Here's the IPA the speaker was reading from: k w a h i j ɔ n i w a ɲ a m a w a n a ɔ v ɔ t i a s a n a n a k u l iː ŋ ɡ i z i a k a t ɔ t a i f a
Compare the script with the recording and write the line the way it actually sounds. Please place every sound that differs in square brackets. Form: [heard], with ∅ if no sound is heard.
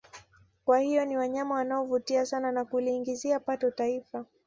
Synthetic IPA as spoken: k w a h i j ɔ n i w a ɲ a m a w a n a ɔ v [u] t i a s a n a n a k u l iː ŋ ɡ i z i a [p] a t ɔ t a i f a